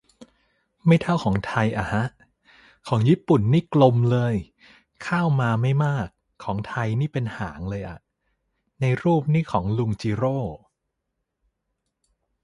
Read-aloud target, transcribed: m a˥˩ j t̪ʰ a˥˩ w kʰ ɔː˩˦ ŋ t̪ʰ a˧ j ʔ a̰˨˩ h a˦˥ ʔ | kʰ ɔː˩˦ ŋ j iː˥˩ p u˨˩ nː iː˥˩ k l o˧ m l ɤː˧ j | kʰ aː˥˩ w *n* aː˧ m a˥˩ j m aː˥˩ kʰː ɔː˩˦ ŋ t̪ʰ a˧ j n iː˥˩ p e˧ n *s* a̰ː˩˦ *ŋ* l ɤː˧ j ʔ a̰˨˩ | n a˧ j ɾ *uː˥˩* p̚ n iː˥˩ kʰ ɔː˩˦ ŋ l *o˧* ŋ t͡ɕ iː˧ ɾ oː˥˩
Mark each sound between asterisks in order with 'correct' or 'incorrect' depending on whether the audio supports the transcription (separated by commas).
incorrect, incorrect, correct, correct, incorrect